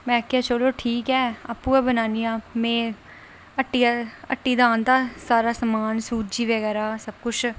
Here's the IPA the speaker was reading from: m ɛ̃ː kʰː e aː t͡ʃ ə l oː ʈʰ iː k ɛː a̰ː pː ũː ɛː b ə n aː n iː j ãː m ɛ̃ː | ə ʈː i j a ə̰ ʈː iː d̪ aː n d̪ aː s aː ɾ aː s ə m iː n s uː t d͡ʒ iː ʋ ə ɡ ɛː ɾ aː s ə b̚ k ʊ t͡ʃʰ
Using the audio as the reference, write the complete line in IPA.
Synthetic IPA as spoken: m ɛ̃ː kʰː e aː t͡ʃ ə l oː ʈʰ iː k ɛː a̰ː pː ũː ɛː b ə n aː n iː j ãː m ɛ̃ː | ə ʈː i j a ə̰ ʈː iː d̪ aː n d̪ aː s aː ɾ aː s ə m aː n s uː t d͡ʒ iː ʋ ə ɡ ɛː ɾ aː s ə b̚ k ʊ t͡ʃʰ